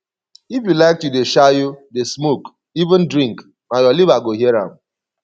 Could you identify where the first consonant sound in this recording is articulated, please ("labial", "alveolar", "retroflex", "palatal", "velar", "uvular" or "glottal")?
labial